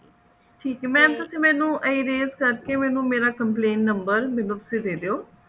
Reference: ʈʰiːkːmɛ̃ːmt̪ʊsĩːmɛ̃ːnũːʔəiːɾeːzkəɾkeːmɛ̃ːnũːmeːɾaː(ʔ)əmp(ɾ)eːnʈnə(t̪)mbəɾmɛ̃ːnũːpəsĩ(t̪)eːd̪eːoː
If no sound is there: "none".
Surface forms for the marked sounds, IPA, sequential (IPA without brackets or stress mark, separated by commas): k, l, none, d̪